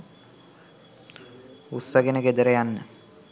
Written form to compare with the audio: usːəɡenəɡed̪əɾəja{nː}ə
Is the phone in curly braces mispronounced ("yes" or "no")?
no